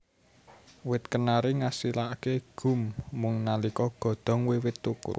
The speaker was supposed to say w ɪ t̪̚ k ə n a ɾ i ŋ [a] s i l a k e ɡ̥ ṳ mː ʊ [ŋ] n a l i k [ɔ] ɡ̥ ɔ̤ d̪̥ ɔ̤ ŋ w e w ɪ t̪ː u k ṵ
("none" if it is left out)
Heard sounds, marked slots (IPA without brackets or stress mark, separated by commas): a, ŋ, ɔ